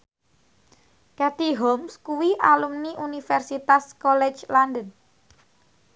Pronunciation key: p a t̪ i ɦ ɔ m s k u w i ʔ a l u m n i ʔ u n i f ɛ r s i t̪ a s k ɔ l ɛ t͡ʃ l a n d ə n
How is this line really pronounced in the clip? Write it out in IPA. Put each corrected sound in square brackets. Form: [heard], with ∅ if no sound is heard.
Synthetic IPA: [k] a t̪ i ɦ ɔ m s k u w i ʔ a l u m n i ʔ u n i f ɛ r s i t̪ a s k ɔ l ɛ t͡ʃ l a n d ə n